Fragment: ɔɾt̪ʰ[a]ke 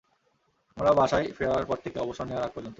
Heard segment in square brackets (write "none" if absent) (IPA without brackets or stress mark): e